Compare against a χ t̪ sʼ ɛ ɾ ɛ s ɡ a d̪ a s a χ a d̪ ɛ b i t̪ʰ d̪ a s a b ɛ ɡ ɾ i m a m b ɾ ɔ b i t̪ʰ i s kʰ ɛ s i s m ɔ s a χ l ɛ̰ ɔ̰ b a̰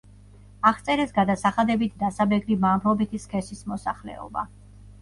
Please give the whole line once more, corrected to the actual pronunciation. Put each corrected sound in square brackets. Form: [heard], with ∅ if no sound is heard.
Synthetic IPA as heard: a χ t̪ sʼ ɛ ɾ ɛ s ɡ a d̪ a s a χ a d̪ ɛ b i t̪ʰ d̪ a s a b ɛ ɡ ɾ i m a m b ɾ ɔ b i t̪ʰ i s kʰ ɛ s i s m ɔ s a χ l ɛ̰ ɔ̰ b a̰